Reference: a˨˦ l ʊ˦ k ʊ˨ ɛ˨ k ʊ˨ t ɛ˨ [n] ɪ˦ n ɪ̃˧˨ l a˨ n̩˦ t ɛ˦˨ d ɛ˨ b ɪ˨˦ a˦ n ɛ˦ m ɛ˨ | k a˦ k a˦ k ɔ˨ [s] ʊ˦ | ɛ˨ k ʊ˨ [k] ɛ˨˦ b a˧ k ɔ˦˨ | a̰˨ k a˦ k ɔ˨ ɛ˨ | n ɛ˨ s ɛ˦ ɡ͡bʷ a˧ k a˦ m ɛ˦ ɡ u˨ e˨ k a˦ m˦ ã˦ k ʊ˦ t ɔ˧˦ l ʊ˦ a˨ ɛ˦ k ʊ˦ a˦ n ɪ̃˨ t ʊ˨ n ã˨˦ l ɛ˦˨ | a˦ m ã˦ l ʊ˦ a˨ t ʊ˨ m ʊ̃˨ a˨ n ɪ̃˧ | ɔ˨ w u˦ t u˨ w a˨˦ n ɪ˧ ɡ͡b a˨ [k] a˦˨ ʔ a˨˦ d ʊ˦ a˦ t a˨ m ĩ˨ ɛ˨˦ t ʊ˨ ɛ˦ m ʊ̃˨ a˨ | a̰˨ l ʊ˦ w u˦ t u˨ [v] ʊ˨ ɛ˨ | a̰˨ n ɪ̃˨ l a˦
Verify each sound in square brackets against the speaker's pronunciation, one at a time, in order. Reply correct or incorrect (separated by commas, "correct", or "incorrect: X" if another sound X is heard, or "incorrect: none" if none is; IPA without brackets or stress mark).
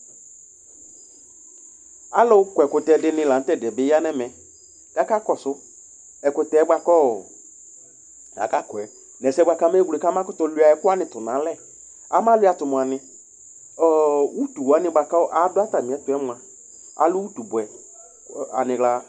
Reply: incorrect: d, correct, incorrect: t, correct, incorrect: b